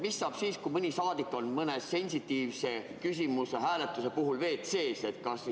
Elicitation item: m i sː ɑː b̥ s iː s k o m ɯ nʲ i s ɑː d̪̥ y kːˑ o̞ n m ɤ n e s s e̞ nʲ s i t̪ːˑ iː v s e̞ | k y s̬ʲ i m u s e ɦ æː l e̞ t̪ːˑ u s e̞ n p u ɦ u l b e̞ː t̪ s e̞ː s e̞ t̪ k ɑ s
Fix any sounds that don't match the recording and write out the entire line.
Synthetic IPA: m i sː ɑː b̥ s iː s k u m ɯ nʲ i s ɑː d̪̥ i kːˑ o̞ n m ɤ n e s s e̞ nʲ s i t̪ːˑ iː v s e̞ | k y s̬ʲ i m u s e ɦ æː l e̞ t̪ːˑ u s e̞ p u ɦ u l v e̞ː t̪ s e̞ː s e̞ t̪ k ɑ s